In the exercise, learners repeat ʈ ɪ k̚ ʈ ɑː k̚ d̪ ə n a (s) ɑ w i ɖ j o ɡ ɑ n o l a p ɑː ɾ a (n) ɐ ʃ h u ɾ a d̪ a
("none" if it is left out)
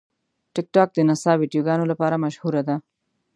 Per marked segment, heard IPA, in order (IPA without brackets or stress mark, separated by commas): s, m